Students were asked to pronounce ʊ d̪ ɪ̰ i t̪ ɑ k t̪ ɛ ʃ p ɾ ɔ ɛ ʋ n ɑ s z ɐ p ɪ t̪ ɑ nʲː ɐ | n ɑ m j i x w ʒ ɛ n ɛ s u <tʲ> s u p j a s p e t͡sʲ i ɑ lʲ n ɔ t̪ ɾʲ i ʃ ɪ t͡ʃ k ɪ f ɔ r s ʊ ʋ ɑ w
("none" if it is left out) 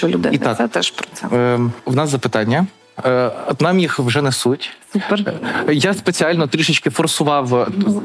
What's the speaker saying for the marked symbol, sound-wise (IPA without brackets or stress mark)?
tʲ